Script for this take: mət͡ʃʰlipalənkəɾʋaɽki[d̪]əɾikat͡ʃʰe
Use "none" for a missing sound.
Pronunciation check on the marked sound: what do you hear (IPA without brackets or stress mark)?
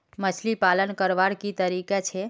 t̪